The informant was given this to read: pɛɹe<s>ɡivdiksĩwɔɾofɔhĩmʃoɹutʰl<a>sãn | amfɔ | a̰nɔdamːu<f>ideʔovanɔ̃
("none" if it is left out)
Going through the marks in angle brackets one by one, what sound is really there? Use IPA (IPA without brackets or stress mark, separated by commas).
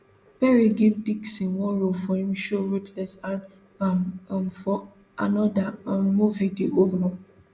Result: none, ɛ, v